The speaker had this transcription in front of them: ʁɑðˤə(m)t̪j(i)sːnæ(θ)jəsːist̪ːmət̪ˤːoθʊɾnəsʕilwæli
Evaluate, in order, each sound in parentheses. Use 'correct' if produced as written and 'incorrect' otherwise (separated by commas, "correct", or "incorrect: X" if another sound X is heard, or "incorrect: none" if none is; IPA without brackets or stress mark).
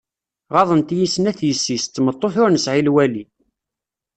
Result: incorrect: n, correct, correct